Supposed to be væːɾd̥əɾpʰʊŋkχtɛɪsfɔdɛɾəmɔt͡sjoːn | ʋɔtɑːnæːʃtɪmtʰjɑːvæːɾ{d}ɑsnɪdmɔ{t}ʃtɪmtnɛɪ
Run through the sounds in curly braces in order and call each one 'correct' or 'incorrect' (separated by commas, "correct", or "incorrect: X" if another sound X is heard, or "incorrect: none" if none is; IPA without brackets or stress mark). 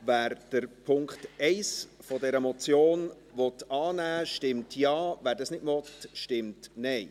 correct, correct